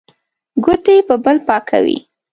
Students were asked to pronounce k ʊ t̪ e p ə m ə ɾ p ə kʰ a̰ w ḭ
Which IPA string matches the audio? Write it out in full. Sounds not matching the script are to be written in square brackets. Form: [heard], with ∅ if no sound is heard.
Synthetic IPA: [ɡ] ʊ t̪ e p ə [b] ə [l] p [ɑ] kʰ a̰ w ḭ